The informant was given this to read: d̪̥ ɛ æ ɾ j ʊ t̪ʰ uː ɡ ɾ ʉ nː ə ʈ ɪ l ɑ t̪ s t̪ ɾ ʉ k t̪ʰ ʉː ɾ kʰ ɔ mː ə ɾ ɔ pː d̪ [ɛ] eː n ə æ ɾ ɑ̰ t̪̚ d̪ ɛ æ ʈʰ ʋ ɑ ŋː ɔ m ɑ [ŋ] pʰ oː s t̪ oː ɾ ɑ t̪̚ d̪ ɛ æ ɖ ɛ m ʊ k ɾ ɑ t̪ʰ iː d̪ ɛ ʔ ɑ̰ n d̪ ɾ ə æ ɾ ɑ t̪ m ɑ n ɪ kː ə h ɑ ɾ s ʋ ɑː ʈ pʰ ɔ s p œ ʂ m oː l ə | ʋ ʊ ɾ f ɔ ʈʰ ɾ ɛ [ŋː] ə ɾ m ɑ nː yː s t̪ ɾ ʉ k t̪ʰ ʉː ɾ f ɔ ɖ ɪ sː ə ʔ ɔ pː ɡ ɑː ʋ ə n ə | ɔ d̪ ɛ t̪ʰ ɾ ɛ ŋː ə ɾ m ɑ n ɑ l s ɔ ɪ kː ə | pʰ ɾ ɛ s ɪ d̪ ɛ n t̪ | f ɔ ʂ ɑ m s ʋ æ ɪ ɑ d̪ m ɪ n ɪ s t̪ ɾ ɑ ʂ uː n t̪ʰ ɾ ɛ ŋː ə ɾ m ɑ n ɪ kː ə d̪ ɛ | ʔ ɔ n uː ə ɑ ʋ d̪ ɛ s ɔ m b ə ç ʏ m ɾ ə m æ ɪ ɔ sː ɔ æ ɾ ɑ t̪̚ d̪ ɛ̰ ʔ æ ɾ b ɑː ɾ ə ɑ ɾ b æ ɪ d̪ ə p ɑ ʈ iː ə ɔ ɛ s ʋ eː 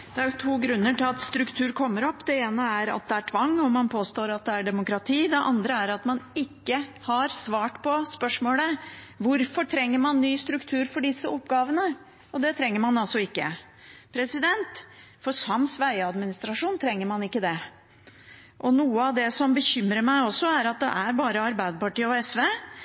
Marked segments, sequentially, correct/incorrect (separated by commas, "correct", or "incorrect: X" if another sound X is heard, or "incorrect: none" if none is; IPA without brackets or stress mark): correct, incorrect: n, correct